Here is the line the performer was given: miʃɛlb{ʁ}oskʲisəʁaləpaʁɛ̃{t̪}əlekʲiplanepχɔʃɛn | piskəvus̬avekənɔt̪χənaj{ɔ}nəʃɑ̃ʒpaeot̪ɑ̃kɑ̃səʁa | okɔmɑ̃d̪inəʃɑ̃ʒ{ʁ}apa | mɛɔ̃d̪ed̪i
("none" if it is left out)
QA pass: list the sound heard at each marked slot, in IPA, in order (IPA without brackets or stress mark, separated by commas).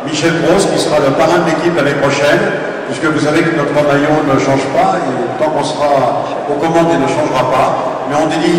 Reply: ʁ, d̪, ɔ̃, ʁ